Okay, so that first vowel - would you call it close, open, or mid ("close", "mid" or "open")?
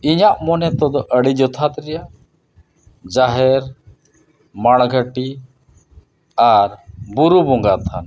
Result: close